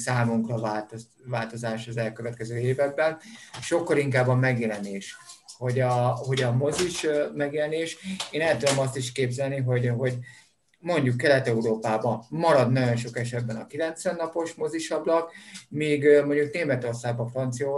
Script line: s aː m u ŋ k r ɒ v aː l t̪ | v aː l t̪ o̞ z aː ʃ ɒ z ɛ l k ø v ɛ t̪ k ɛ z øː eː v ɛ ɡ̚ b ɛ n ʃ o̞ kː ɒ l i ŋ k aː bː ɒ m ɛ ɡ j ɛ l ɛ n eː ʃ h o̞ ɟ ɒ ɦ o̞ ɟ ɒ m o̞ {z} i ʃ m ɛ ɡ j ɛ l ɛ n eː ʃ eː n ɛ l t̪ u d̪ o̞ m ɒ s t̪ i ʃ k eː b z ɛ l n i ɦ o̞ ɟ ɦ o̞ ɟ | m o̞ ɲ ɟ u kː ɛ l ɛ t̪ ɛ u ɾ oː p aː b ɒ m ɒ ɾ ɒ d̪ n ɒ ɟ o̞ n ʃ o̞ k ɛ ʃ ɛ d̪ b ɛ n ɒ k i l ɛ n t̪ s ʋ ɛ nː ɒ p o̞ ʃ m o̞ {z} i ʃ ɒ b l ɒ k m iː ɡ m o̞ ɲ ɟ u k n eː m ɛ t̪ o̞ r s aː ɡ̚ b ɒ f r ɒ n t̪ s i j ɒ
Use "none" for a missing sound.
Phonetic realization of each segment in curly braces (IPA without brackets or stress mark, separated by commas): z, z